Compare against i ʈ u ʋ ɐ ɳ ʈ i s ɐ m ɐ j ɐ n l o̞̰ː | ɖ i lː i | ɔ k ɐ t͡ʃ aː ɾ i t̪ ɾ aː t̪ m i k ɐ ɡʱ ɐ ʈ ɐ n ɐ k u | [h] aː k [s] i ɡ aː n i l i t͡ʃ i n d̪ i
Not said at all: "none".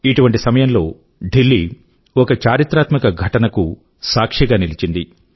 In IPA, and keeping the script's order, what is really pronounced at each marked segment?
s, ʂ

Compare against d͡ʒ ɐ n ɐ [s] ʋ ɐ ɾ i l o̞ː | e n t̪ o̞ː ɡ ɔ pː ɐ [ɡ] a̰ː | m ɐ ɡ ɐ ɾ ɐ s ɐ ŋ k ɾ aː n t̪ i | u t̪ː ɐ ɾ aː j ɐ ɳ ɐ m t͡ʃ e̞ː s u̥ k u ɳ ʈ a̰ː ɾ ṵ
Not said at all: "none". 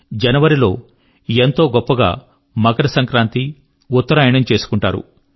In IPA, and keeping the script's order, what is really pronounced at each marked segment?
none, ɡ

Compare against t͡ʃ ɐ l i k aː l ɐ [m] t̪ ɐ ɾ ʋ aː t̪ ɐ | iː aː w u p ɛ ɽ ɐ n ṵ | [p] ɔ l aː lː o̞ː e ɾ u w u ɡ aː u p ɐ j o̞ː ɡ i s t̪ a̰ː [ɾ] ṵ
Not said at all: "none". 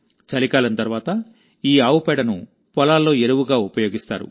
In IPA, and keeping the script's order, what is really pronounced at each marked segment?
n, p, ɾ

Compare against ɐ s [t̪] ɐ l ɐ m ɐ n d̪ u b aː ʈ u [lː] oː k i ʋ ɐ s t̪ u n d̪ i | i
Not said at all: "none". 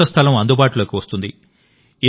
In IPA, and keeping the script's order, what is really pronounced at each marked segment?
t̪ʰ, l

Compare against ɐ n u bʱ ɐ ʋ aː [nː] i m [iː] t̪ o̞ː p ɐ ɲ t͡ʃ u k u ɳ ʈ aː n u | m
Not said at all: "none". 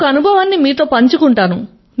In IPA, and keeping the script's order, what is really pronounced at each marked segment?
nː, iː

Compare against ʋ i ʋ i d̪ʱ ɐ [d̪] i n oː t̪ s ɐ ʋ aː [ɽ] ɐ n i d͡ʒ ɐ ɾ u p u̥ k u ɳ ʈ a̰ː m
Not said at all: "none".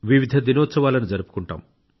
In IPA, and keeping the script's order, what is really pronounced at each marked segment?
d̪, l

